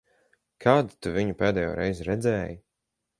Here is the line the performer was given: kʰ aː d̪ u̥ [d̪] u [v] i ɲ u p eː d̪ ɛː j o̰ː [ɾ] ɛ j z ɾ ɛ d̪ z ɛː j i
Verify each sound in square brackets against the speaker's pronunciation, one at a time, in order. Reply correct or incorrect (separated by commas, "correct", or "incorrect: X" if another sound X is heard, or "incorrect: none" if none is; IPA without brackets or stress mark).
incorrect: t̪, correct, correct